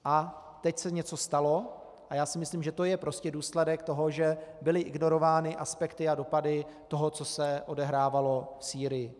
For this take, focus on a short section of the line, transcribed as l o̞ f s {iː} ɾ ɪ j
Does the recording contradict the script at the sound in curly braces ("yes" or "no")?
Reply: no